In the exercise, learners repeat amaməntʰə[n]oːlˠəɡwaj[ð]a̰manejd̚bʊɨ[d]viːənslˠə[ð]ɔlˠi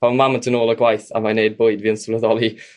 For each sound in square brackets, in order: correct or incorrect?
correct, incorrect, correct, correct

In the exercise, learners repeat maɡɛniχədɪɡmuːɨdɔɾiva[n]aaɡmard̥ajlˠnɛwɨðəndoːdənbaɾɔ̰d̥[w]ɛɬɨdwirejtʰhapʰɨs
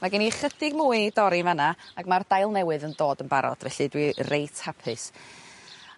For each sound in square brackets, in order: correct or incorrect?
correct, incorrect

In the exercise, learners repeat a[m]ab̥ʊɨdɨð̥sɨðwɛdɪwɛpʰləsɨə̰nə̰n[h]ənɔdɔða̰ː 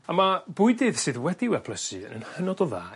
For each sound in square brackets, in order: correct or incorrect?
correct, correct

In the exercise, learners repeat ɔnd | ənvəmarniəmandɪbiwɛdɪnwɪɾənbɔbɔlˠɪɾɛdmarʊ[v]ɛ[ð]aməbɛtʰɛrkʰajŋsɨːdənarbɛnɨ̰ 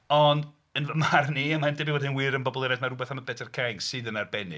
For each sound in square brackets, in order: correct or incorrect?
incorrect, incorrect

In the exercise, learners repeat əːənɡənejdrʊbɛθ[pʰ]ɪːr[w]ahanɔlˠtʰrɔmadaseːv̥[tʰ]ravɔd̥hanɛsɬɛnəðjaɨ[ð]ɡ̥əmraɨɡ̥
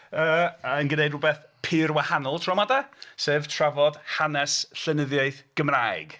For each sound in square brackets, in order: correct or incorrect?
correct, correct, correct, incorrect

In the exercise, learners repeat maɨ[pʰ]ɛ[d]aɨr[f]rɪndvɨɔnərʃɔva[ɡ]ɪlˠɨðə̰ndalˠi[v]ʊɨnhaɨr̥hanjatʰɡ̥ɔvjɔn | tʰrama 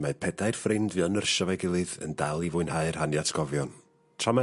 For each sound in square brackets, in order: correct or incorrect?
correct, correct, correct, correct, correct

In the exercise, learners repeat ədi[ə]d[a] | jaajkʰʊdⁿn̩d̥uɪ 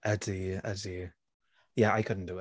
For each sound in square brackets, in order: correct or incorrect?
correct, incorrect

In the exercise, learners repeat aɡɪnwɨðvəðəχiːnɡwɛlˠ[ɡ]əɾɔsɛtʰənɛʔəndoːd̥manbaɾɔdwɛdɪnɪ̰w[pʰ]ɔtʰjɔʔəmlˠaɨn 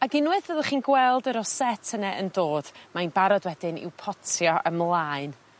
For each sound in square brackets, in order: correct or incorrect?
incorrect, correct

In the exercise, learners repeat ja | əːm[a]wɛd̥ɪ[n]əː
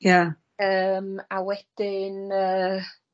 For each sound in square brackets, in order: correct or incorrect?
correct, correct

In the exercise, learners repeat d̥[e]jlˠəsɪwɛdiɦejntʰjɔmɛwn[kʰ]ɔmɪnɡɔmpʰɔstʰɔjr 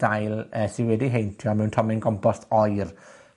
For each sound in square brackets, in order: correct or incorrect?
incorrect, incorrect

